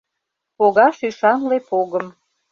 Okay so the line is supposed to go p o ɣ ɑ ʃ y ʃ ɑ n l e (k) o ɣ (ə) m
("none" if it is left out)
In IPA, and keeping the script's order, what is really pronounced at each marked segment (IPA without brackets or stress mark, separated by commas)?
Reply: p, ə